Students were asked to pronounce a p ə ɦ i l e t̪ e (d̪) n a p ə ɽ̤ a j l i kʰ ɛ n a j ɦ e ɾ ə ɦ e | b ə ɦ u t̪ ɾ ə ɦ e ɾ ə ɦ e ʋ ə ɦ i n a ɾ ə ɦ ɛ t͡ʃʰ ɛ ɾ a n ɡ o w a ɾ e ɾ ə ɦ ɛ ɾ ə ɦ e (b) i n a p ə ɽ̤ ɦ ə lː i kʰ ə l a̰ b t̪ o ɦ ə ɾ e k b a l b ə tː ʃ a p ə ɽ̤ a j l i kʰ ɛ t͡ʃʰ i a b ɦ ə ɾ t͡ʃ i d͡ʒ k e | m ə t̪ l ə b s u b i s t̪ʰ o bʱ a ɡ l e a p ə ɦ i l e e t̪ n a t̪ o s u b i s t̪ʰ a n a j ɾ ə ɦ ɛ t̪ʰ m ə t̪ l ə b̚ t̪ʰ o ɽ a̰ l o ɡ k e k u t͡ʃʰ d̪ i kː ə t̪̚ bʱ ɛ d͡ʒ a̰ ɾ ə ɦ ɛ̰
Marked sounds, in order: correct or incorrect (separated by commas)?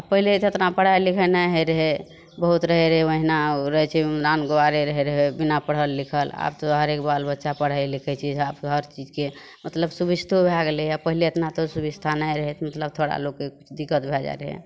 incorrect, correct